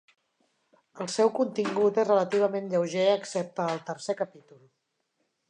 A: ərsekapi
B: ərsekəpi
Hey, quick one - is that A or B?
B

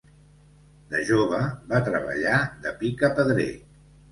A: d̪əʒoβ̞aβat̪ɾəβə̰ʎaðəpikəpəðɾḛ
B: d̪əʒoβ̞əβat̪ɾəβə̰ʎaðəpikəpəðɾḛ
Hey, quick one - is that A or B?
B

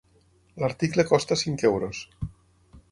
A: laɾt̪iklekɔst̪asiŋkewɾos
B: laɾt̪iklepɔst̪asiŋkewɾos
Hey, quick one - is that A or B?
A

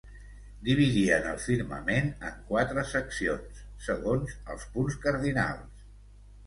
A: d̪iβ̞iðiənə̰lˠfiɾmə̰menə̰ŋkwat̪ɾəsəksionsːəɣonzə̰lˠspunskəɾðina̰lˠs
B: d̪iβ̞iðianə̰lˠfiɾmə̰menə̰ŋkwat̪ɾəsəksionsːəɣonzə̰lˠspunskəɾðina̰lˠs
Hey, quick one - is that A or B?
A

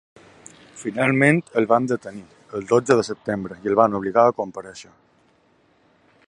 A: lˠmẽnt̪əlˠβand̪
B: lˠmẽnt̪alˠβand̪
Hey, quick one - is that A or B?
A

